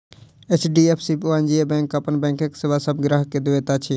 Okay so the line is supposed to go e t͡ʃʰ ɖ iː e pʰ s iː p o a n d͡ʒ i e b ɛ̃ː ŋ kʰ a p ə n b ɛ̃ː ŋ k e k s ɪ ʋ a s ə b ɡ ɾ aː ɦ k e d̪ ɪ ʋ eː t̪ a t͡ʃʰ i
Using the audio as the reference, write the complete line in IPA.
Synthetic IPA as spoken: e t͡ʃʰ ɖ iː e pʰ s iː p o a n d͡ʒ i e b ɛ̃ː ŋ k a p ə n b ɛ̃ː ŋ k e k s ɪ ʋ a s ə b ɡ ɾ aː ɦ k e d̪ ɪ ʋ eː t̪ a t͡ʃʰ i